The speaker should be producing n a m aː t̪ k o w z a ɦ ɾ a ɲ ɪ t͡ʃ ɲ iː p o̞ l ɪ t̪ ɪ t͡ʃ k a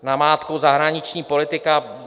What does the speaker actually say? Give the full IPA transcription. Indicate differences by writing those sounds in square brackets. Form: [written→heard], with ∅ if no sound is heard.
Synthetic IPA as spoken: n a m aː t̪ k o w z a ɦ ɾ a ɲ ɪ t͡ʃ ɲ iː p o̞ l ɪ t̪ ɪ [t͡ʃ→∅] k a